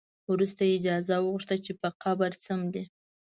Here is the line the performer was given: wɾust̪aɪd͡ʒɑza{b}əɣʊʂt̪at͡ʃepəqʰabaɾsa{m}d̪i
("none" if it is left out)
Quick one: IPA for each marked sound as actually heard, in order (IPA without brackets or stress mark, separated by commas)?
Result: w, m